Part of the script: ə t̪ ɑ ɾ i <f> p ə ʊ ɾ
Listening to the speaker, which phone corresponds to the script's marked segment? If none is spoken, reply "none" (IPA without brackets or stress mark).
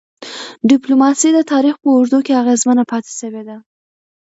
x